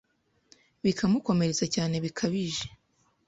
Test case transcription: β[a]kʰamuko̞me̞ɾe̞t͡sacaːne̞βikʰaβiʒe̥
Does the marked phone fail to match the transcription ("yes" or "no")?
yes